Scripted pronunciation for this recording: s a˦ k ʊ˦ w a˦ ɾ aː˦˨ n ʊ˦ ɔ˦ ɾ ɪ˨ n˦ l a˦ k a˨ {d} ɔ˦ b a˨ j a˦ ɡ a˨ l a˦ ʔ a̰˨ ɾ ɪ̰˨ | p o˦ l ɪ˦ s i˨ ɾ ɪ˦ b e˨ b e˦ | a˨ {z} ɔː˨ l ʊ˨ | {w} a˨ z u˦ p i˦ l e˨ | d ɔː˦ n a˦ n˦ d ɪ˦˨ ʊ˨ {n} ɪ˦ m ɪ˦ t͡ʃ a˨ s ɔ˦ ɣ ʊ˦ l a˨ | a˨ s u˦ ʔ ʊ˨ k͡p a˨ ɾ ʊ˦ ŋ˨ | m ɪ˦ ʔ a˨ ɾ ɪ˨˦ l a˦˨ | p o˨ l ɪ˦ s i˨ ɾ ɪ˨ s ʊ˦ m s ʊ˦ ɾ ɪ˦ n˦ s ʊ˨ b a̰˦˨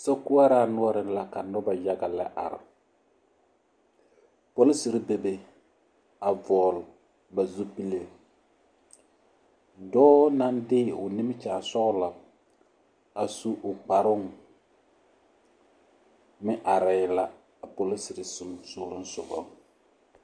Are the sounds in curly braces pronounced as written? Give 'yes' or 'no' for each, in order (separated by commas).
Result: no, no, no, yes